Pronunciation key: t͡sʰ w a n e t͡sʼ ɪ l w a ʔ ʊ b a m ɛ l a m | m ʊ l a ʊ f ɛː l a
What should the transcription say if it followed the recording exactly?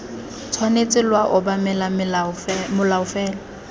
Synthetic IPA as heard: t͡sʰ w a n e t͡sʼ ɪ l w a ʔ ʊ b a m ɛ l a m | m ʊ l a ʊ f ɛː l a